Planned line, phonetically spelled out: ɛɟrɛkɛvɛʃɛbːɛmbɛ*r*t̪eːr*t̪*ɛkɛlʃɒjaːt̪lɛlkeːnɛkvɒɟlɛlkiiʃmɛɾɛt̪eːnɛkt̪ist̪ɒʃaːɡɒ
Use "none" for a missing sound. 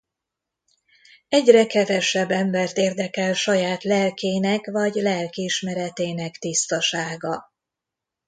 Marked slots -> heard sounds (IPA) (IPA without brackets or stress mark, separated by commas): r, d̪